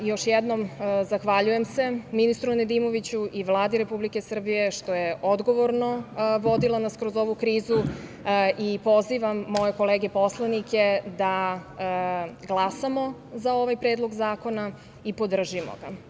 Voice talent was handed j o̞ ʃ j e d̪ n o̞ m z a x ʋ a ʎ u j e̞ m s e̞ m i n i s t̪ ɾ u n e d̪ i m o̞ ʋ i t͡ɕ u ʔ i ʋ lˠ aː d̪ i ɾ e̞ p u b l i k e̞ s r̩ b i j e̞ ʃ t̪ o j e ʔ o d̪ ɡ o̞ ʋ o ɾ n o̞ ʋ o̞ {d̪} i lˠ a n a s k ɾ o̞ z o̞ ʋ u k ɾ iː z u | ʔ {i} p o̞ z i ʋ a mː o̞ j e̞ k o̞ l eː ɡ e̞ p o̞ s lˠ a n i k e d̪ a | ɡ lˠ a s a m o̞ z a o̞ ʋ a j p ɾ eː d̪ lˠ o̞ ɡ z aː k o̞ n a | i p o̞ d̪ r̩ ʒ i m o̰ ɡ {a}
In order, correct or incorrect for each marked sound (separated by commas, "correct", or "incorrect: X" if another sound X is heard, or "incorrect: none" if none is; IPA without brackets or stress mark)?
correct, correct, correct